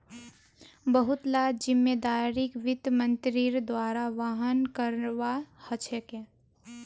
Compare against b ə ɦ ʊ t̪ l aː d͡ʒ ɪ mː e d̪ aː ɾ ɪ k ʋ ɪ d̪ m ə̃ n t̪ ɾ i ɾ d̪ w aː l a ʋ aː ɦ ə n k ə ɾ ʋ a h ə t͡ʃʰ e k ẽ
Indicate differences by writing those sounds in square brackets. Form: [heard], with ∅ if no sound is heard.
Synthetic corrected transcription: b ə ɦ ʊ t̪ l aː d͡ʒ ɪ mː e d̪ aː ɾ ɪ k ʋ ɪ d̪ m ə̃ n t̪ ɾ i ɾ d̪ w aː [ɾ] a ʋ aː ɦ ə n k ə ɾ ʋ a h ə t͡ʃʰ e k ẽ